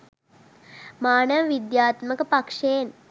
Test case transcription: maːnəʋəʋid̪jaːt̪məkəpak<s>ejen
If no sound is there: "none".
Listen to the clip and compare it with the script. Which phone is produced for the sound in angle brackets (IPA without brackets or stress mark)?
ʂ